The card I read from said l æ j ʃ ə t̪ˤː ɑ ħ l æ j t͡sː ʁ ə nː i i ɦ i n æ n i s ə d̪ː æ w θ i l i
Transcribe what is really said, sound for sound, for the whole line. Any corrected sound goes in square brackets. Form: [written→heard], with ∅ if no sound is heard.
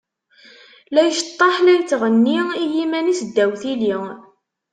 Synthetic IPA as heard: l æ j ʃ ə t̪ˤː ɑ ħ l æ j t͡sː ʁ ə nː i i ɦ i [n→m] æ n i s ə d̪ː æ w θ i l i